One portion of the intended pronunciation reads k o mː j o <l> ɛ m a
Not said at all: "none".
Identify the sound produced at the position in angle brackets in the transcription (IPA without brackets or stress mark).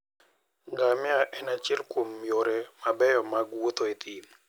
ɾ